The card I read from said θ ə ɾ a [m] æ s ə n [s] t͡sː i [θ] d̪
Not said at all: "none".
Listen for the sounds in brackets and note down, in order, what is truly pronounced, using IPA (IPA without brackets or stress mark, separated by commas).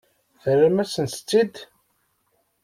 m, s, none